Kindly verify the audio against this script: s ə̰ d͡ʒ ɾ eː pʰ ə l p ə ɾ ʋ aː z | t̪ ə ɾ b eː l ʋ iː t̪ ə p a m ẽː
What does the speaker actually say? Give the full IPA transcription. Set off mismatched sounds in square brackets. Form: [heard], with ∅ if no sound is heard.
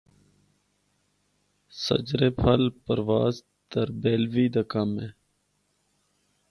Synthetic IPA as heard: s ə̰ d͡ʒ ɾ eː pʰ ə l p ə ɾ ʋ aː z | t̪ ə ɾ b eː l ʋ iː [d̪] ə [k] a m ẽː